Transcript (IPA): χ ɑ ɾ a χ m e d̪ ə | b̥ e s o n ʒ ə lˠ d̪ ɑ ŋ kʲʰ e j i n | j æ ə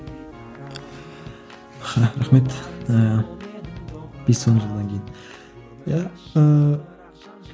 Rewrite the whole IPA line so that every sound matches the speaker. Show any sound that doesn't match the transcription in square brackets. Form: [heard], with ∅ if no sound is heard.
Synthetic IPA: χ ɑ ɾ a χ m e [t̪] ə | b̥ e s o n ʒ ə lˠ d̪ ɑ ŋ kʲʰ e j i n | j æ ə